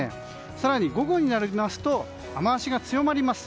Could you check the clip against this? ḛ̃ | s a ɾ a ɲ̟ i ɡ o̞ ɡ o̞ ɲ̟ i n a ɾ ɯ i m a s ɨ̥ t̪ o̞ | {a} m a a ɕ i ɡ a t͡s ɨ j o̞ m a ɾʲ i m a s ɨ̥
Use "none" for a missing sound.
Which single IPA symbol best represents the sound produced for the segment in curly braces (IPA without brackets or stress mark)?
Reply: a